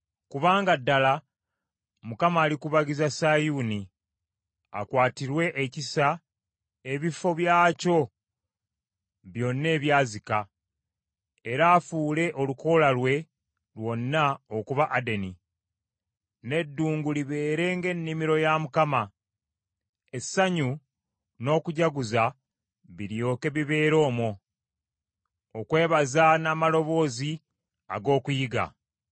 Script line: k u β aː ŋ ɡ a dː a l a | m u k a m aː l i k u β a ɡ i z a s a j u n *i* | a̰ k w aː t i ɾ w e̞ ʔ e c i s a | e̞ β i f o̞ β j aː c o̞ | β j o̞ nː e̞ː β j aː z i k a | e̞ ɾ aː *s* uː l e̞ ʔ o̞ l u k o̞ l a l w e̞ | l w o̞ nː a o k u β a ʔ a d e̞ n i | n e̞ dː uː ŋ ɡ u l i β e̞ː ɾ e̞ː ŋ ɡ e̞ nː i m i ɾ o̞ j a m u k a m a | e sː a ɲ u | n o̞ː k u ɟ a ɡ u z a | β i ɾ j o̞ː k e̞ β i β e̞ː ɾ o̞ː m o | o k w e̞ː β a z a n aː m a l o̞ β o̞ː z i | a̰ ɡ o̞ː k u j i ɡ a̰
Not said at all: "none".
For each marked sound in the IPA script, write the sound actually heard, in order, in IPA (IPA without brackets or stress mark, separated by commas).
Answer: i, f